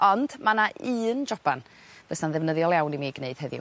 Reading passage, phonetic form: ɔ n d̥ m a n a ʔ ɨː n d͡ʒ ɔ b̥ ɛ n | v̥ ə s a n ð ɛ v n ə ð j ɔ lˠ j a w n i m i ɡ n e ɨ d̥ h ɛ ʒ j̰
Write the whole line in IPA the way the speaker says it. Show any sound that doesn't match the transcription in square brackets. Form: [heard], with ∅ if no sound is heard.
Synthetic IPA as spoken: ɔ n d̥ m a n a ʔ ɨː n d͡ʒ ɔ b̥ [a] n | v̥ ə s a n ð ɛ v n ə ð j ɔ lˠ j a w n i m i ɡ n e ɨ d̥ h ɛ [ð] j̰